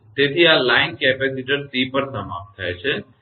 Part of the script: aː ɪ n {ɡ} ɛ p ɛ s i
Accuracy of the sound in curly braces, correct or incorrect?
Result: incorrect: k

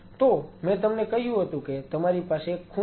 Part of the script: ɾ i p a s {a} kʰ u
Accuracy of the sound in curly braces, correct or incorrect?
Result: incorrect: e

